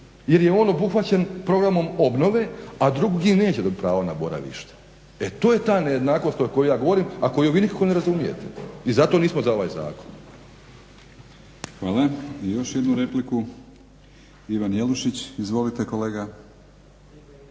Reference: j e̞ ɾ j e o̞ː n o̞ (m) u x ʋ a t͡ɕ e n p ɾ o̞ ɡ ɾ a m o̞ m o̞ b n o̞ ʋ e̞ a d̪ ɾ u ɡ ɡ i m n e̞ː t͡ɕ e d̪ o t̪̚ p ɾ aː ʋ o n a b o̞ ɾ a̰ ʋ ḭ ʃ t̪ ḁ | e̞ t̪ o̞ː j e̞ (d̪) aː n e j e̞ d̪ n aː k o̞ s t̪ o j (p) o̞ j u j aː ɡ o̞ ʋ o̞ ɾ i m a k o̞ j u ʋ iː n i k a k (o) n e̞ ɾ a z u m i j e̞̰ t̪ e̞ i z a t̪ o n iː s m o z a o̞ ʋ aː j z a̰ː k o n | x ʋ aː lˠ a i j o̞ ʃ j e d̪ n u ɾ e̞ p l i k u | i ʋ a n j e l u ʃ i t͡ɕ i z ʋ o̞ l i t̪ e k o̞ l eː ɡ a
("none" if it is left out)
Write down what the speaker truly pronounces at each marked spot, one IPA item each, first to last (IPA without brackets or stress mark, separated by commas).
b, t̪, k, o